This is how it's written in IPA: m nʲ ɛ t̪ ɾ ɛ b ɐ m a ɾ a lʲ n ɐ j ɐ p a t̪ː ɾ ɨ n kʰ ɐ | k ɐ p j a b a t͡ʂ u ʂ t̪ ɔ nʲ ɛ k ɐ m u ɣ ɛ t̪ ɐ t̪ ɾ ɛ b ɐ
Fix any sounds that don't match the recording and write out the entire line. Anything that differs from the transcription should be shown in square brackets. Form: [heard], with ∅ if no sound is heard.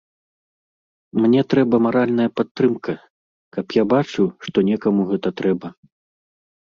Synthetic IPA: m nʲ ɛ t̪ ɾ ɛ b ɐ m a ɾ a lʲ n ɐ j ɐ p a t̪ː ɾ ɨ [m] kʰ ɐ | k ɐ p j a b a t͡ʂ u ʂ t̪ ɔ nʲ ɛ k ɐ m u ɣ ɛ t̪ ɐ t̪ ɾ ɛ b ɐ

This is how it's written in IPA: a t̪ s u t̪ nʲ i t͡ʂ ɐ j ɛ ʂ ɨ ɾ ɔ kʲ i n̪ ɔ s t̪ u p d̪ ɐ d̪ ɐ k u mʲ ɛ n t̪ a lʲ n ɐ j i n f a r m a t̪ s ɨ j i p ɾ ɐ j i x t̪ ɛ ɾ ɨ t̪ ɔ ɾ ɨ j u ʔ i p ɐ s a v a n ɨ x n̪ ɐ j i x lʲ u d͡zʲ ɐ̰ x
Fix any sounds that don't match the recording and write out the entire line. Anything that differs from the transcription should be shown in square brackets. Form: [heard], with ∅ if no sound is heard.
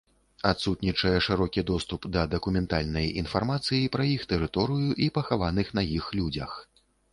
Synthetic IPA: a t̪ s u t̪ nʲ i t͡ʂ ɐ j ɛ ʂ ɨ ɾ ɔ kʲ i [d̪] ɔ s t̪ u p d̪ ɐ d̪ ɐ k u mʲ ɛ n t̪ a lʲ n ɐ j i n f a r m a t̪ s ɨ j i p ɾ ɐ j i x t̪ ɛ ɾ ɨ t̪ ɔ ɾ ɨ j u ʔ i p ɐ [x] a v a n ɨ x n̪ ɐ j i x lʲ u d͡zʲ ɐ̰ x

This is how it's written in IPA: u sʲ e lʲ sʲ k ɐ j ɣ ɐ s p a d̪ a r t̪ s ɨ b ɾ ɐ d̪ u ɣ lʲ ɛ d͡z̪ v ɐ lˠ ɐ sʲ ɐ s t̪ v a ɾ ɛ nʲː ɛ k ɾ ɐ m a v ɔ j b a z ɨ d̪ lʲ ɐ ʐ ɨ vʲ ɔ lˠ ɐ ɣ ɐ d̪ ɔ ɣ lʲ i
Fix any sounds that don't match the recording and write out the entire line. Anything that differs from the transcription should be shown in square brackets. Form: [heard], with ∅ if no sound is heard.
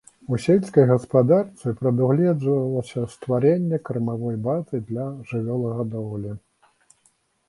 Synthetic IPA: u sʲ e lʲ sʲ k ɐ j ɣ ɐ s p a d̪ a r t̪ s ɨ [p] ɾ ɐ d̪ u ɣ lʲ ɛ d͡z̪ v ɐ lˠ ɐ sʲ ɐ s t̪ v a ɾ ɛ nʲː ɛ k ɾ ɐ m a v ɔ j b a z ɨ d̪ lʲ ɐ ʐ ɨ vʲ ɔ lˠ ɐ ɣ ɐ d̪ ɔ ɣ lʲ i

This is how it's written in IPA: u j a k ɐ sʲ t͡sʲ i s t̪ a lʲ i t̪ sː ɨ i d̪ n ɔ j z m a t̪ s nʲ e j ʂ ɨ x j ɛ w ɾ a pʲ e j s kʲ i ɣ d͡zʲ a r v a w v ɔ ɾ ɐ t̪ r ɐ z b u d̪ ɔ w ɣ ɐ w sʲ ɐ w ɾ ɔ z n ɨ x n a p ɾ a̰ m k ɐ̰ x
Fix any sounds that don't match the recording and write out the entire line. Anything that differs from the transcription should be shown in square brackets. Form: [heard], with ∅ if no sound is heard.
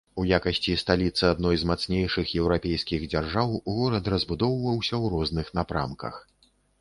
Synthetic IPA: u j a k ɐ sʲ t͡sʲ i s t̪ a lʲ i t̪ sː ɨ [a] d̪ n ɔ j z m a t̪ s nʲ e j ʂ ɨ x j ɛ w ɾ a pʲ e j s kʲ i ɣ d͡zʲ a r [ʐ] a w [ɣ] ɔ ɾ ɐ t̪ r ɐ z b u d̪ ɔ w [v] ɐ w sʲ ɐ w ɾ ɔ z n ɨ x n a p ɾ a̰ m k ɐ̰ x

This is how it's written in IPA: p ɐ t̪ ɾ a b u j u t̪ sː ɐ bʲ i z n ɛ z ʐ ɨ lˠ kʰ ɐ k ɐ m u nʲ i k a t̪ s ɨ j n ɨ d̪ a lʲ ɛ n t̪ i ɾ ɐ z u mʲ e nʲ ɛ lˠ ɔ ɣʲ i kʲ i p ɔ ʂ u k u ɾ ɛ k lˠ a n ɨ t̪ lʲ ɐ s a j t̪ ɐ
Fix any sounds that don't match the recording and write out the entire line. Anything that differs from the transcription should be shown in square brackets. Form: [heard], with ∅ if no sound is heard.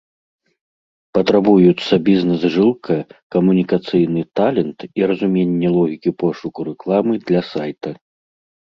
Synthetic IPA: p ɐ t̪ ɾ a b u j u t̪ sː ɐ bʲ i z n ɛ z ʐ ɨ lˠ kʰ ɐ k ɐ m u nʲ i k a t̪ s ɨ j n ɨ [t̪] a lʲ ɛ n t̪ i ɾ ɐ z u mʲ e [nʲː] ɛ lˠ ɔ ɣʲ i kʲ i p ɔ ʂ u k u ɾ ɛ k lˠ a [m] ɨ [d̪] lʲ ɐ s a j t̪ ɐ

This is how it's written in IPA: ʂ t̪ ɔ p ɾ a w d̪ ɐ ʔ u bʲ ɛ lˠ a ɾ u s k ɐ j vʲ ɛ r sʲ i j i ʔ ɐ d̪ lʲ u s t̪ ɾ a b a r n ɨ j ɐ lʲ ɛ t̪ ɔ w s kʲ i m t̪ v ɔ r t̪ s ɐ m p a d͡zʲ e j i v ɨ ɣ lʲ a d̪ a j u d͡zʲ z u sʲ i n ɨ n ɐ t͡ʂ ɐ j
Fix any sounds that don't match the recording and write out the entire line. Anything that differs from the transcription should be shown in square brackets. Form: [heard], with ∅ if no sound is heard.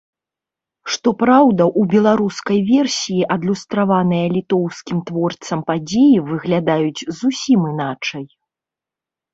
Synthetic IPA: ʂ t̪ ɔ p ɾ a w d̪ ɐ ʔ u bʲ ɛ lˠ a ɾ u s k ɐ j vʲ ɛ r sʲ i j i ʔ ɐ d̪ lʲ u s t̪ ɾ a [v] a [∅] n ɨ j ɐ lʲ [i] t̪ ɔ w s kʲ i m t̪ v ɔ r t̪ s ɐ m p a d͡zʲ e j i v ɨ ɣ lʲ a d̪ a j u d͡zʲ z u sʲ i [m] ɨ n [a] t͡ʂ ɐ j

